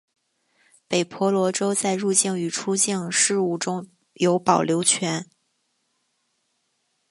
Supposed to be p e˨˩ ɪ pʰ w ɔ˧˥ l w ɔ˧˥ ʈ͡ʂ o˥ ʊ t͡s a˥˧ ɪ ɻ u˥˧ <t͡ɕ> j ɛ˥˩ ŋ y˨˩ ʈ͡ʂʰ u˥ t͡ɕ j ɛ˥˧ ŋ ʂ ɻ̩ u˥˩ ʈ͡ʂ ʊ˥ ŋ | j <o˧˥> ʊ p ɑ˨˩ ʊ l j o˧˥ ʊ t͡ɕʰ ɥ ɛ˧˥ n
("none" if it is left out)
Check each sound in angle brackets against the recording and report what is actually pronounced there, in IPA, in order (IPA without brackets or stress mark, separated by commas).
t͡ɕ, o˧˥